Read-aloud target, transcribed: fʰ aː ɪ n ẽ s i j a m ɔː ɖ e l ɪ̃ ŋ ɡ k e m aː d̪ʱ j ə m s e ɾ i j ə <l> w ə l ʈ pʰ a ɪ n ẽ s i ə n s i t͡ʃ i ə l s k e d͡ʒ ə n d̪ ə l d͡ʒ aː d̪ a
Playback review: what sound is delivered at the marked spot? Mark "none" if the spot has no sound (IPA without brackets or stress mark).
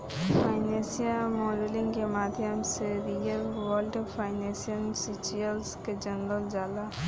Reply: l